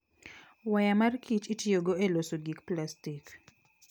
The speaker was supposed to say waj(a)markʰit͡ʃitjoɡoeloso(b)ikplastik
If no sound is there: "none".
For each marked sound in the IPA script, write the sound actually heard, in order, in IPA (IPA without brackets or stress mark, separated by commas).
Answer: a, ɡ